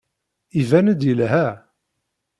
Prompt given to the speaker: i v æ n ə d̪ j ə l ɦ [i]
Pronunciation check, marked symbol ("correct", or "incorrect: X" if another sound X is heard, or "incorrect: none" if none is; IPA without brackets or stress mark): incorrect: æ